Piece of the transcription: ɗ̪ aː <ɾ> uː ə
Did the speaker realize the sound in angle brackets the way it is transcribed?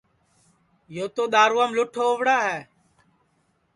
yes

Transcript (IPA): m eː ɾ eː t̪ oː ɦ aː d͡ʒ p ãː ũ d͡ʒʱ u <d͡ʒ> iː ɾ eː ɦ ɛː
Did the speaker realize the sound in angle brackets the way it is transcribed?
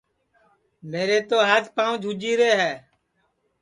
yes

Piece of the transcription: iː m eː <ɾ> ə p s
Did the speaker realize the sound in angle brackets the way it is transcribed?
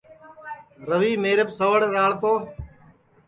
yes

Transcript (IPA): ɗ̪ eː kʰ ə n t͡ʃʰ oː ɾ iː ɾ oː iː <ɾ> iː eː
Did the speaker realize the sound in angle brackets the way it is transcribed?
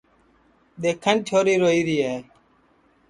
yes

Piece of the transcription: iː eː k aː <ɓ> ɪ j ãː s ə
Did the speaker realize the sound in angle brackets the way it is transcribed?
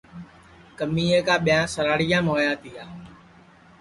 yes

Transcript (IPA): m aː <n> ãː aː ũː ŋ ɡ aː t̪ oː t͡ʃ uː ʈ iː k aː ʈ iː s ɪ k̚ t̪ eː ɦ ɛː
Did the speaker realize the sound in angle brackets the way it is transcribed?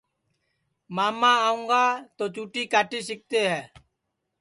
no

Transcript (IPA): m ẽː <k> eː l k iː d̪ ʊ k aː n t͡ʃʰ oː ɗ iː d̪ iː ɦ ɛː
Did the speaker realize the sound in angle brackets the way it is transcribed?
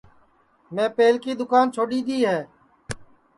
no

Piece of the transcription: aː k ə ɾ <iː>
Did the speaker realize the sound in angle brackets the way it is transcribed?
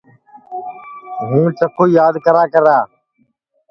no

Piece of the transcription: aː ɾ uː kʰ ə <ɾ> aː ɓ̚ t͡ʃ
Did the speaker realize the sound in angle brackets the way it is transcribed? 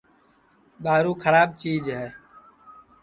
yes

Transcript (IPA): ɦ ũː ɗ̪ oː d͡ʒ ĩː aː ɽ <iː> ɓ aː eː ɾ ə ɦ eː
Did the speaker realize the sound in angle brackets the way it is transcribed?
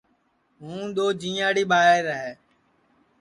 yes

